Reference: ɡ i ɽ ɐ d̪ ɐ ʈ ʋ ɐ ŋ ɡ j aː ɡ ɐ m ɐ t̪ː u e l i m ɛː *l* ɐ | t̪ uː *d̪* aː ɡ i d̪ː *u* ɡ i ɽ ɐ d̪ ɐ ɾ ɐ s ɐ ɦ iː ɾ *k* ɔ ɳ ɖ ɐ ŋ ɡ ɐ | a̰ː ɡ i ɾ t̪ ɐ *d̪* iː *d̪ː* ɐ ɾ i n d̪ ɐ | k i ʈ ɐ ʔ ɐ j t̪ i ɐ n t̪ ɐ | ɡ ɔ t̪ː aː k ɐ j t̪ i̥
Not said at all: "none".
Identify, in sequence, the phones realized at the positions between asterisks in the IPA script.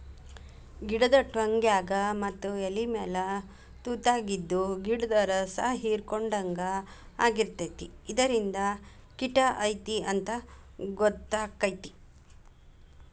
l, t̪, u, k, t̪, d̪

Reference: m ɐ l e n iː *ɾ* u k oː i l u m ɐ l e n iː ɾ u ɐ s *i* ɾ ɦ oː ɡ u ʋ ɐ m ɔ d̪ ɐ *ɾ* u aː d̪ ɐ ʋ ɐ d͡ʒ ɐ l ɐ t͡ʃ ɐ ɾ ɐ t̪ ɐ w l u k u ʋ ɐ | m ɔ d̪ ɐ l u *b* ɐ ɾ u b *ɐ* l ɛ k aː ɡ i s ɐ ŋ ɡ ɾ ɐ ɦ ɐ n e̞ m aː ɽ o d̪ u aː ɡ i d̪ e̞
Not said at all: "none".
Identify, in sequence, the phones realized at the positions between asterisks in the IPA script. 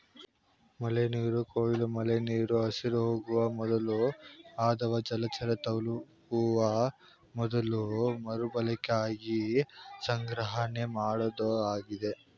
ɾ, i, l, m, ɐ

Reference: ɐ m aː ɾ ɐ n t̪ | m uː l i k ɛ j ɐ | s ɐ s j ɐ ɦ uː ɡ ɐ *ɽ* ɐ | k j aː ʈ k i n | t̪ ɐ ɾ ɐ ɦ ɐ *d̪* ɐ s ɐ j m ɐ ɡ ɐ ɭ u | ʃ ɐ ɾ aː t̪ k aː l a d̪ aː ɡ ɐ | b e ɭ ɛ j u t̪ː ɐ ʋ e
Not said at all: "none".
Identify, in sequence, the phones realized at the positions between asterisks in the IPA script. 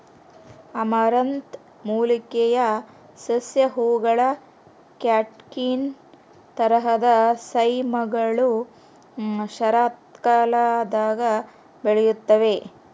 ɭ, d̪

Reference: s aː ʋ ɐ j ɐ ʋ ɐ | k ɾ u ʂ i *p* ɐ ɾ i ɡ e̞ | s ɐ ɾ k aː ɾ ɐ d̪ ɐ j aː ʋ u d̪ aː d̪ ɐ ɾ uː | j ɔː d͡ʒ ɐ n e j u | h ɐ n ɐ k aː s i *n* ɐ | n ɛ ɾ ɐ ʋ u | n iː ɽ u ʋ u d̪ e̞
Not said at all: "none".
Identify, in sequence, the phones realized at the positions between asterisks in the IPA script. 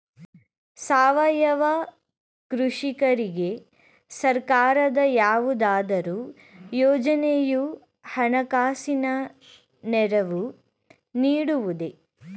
k, n

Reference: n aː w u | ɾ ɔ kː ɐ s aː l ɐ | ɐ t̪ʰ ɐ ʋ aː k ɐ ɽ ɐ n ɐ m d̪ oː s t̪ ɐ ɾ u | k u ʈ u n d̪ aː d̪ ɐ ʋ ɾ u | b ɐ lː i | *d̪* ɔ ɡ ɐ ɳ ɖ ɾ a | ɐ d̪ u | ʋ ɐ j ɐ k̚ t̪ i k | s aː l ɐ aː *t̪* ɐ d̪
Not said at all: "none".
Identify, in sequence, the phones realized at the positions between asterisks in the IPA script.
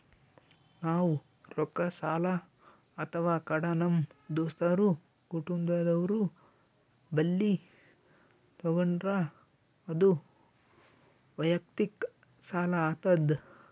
t̪, t̪

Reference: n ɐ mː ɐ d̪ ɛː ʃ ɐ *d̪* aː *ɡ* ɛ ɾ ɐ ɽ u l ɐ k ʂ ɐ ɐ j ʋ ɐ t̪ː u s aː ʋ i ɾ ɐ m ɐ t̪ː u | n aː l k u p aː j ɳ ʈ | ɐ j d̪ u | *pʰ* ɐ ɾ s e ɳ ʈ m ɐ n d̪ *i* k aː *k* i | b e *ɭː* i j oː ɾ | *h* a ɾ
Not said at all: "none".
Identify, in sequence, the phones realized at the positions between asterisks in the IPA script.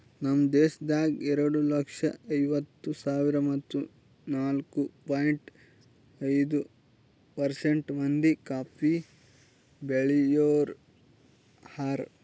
d̪, ɡ, p, i, p, ɭ, h

